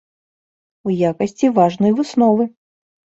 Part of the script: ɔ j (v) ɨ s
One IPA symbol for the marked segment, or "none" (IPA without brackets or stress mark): v